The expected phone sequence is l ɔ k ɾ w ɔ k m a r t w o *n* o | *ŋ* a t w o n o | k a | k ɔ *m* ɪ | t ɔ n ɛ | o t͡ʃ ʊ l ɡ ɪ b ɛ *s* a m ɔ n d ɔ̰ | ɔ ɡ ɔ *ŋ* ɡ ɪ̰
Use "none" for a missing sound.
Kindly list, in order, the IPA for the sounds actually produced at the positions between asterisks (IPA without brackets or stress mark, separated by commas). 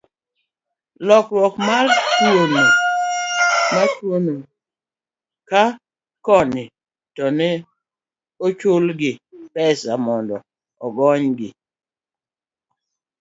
n, m, n, s, ɲ